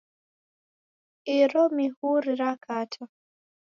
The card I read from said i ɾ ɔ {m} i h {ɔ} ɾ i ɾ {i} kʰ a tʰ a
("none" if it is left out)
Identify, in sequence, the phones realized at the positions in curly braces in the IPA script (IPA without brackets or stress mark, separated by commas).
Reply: m, u, a